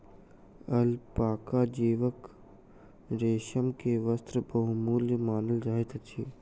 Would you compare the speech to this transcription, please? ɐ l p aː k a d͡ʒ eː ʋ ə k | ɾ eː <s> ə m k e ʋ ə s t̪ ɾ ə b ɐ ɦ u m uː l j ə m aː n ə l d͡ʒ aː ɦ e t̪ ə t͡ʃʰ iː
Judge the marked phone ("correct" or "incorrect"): incorrect